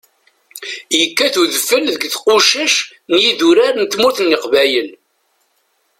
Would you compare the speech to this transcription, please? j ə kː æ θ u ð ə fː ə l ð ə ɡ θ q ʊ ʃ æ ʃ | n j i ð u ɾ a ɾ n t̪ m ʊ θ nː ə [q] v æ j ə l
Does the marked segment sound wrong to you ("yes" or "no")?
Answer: no